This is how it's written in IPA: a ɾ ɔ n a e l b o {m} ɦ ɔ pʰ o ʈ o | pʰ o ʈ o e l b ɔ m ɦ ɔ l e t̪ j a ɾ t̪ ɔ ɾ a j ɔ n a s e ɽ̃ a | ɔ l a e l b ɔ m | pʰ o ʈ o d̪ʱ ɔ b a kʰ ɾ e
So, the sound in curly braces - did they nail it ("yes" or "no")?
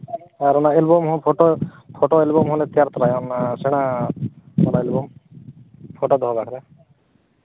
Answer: yes